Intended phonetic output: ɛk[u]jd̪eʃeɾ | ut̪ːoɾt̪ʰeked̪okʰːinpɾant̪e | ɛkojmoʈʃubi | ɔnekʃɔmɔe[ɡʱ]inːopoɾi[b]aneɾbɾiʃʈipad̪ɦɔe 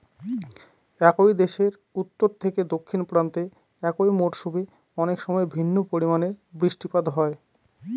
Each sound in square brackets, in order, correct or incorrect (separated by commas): incorrect, incorrect, incorrect